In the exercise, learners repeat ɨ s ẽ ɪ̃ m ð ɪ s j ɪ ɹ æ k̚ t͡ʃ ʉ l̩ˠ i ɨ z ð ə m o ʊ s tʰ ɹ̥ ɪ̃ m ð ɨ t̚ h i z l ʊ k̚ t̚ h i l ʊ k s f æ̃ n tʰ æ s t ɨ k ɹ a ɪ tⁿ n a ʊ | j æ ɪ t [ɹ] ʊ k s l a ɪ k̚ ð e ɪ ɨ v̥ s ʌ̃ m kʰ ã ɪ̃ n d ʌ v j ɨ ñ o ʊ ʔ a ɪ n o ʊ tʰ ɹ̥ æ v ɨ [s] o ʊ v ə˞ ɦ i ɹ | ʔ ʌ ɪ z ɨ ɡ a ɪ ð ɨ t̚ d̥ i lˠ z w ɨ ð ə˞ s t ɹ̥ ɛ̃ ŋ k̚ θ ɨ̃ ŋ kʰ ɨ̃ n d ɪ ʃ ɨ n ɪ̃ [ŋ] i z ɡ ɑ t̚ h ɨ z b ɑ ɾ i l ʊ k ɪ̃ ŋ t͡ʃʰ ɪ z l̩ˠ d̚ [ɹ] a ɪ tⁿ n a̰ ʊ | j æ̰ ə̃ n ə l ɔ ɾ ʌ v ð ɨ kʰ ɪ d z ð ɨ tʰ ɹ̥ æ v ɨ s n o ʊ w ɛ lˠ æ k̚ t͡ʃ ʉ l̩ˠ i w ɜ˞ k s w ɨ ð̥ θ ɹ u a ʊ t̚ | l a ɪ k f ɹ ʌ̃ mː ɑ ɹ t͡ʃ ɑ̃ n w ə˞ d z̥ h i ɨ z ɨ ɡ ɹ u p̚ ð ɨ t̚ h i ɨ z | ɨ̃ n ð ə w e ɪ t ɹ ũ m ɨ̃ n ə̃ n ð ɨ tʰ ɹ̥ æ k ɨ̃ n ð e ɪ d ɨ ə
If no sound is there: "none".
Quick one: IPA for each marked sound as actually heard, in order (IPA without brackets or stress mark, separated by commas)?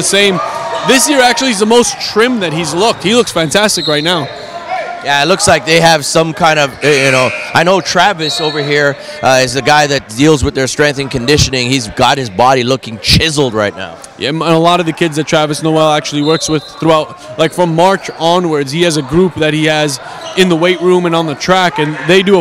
l, s, ŋ, ɹ